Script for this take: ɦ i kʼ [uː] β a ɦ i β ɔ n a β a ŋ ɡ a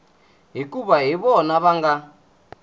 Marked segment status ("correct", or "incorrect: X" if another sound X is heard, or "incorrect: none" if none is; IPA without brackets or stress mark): incorrect: u